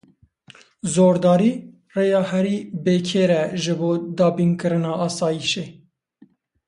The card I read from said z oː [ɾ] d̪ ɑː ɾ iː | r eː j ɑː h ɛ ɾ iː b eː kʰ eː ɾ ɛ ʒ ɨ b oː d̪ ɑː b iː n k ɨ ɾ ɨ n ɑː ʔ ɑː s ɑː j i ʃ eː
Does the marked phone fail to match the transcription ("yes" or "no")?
no